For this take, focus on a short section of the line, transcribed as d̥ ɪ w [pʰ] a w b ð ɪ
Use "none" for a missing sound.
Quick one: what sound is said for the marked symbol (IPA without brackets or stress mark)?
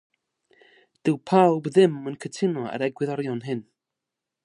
pʰ